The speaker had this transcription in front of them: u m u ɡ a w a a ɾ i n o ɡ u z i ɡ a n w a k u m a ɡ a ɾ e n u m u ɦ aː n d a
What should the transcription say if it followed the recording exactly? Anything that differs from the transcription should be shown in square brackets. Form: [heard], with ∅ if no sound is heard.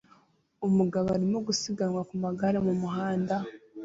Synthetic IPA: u m u ɡ a [β] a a ɾ i [m] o ɡ u [s] i ɡ a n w a k u m a ɡ a ɾ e [m] u m u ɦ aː n d a